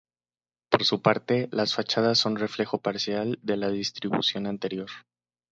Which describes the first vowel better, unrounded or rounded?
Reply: rounded